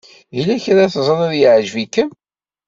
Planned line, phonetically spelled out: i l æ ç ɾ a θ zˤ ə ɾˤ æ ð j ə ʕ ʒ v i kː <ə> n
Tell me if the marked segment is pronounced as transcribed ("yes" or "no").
yes